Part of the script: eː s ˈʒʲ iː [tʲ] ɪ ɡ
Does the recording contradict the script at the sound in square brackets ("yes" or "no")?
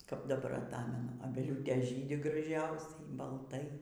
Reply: yes